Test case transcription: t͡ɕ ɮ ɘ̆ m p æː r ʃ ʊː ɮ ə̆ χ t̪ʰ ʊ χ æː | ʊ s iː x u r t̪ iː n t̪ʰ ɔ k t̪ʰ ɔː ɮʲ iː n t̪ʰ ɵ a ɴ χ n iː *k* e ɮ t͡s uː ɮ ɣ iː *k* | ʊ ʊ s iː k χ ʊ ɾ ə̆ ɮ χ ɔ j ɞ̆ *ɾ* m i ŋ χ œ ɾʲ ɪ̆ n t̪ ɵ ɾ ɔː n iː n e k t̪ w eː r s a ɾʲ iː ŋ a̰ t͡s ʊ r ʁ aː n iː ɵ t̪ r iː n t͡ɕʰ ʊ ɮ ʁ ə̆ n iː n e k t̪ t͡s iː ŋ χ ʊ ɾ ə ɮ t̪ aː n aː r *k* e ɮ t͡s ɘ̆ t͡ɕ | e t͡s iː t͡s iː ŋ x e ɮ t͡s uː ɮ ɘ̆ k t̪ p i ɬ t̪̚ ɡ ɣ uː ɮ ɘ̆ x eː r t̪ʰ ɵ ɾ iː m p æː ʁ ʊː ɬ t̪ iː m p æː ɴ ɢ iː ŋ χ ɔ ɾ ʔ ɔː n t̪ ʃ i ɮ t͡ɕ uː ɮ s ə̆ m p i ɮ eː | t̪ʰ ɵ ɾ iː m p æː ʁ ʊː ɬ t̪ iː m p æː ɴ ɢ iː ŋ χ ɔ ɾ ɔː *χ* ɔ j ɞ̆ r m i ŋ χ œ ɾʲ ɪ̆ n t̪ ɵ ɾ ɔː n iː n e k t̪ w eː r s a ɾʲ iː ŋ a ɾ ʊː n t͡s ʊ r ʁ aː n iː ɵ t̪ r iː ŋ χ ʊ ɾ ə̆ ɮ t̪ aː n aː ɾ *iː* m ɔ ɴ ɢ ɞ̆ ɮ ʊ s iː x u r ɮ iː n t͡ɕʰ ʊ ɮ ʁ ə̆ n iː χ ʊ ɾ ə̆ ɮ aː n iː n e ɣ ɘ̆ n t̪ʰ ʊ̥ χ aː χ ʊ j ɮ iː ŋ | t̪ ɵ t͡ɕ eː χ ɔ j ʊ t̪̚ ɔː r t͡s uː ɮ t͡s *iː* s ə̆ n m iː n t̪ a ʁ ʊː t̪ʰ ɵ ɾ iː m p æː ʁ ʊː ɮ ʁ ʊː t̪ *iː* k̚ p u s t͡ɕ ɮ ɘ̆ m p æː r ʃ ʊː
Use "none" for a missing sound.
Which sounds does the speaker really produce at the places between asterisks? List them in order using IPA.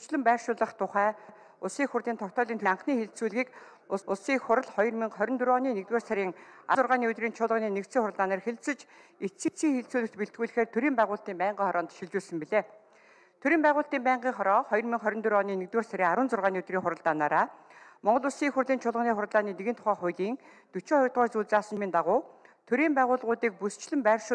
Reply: x, k, r, x, χ, aː, aː, iː

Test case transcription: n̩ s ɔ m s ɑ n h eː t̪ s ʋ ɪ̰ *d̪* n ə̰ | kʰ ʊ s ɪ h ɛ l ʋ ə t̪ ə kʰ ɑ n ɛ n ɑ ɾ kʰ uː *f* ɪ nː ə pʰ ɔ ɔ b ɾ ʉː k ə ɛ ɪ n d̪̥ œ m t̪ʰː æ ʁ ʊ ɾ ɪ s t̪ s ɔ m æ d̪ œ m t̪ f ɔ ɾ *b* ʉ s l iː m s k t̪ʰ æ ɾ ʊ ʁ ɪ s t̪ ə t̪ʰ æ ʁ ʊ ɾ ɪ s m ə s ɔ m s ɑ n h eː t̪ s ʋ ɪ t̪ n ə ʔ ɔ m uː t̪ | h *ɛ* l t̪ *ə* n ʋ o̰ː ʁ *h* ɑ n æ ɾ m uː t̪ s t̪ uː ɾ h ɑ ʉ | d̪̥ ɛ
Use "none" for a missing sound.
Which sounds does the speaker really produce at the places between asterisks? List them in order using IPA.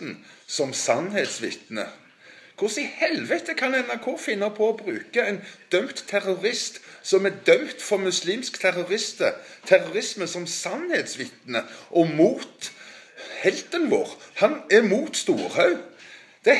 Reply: t̪, f, m, ɛ, ə, h

